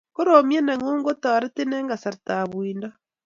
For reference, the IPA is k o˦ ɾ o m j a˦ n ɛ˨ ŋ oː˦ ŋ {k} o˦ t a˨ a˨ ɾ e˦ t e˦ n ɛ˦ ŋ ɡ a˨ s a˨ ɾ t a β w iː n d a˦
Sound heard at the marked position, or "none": ɡ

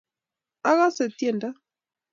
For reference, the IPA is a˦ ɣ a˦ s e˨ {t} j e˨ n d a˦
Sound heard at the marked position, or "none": t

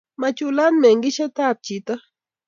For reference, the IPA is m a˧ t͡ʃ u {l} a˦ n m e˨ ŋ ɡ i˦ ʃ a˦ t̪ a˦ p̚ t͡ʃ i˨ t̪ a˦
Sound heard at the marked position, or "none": l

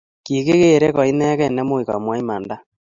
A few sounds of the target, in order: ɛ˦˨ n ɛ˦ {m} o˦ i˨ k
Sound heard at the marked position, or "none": m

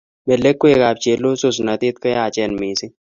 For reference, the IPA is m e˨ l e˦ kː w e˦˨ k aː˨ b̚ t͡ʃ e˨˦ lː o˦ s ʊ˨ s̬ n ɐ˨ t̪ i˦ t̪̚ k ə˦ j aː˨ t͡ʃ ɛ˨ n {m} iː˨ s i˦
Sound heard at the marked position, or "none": m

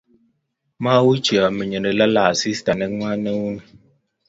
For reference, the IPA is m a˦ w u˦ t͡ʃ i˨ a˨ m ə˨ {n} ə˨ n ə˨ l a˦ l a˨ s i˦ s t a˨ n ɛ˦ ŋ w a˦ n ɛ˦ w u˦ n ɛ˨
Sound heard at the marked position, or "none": ɲ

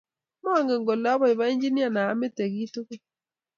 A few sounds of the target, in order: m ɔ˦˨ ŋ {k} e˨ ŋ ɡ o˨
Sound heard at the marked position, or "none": ɡ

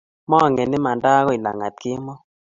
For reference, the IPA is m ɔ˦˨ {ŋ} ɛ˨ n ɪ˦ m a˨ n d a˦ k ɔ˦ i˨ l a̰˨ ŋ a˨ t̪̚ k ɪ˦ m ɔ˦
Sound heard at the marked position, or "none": ŋ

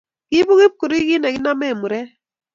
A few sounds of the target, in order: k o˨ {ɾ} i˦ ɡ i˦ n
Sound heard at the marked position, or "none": ɾ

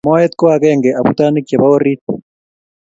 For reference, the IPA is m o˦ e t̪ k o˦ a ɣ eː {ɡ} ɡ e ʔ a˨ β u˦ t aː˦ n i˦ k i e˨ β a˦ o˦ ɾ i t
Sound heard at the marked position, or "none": ŋ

